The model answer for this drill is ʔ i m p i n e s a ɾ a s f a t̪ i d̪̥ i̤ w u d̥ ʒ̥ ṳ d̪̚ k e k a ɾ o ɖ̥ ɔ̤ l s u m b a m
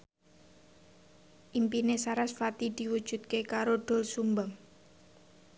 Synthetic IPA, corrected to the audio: ʔ i m p i n e s a ɾ a s f a t̪ i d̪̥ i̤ w u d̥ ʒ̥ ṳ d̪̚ k e k a ɾ o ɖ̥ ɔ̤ l s u m b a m